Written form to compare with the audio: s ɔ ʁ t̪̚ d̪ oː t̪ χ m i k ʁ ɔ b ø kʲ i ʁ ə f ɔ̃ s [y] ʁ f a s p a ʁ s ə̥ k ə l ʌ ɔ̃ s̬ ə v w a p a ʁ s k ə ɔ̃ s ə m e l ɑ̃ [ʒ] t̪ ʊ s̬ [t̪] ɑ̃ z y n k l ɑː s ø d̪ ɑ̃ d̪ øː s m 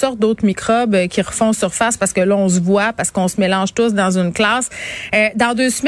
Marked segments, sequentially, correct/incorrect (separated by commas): correct, correct, incorrect